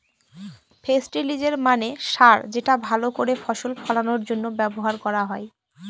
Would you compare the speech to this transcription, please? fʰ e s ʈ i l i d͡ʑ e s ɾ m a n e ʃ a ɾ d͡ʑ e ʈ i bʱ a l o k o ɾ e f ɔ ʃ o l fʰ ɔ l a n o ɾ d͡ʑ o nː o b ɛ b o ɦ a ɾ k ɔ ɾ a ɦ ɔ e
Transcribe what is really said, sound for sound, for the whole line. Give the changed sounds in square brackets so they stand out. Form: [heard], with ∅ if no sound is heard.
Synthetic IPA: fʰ e s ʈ i l i d͡ʑ e [∅] ɾ m a n e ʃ a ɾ d͡ʑ e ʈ [a] bʱ a l o k o ɾ e f ɔ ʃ o l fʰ ɔ l a n o ɾ d͡ʑ o nː o b ɛ b o ɦ a ɾ k ɔ ɾ a ɦ ɔ e